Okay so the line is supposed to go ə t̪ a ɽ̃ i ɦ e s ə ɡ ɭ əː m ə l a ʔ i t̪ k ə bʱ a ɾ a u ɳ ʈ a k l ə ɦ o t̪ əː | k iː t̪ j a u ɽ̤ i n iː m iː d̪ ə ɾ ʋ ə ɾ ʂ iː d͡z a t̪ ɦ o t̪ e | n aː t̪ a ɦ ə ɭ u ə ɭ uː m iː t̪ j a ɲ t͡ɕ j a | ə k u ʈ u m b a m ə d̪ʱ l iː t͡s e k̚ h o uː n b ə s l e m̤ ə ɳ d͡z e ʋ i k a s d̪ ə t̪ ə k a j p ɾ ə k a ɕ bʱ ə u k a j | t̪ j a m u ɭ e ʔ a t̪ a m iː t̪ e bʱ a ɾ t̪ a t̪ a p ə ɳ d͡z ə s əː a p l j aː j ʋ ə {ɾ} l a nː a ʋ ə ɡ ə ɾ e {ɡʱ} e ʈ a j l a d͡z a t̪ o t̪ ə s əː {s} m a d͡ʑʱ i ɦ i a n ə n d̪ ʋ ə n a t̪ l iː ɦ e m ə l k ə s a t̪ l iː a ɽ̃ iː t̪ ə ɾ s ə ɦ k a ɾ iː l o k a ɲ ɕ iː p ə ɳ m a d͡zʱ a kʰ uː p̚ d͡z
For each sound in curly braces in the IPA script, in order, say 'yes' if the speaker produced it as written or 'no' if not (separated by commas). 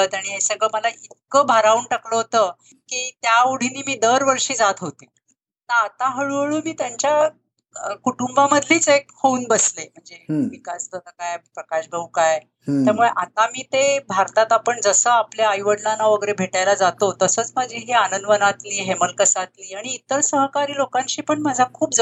no, no, no